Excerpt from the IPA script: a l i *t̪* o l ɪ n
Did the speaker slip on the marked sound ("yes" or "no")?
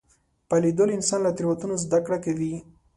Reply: yes